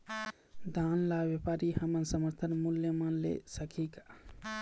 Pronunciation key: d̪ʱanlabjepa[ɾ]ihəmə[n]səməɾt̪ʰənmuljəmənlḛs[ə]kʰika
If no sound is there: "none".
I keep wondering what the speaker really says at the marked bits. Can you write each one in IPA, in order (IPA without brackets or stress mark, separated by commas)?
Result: ɾ, n, ə